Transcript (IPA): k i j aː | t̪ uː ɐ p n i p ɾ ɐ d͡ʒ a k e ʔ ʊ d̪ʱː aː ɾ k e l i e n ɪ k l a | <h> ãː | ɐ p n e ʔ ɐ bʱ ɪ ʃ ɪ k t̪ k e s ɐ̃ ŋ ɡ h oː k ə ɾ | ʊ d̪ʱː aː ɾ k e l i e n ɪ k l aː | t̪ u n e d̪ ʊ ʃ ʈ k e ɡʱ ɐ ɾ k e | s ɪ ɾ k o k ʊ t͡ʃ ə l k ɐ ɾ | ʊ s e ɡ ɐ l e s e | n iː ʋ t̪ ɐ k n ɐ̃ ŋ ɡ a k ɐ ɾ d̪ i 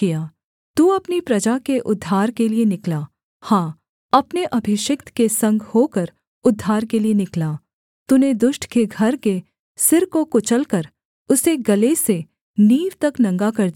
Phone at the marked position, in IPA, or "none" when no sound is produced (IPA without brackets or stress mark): h